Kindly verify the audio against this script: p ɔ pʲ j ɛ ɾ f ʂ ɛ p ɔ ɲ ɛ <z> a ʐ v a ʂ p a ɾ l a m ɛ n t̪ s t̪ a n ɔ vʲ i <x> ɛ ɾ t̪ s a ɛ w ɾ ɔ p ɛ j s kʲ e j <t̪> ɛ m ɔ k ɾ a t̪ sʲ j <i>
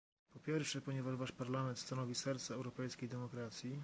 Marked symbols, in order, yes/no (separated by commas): no, no, no, yes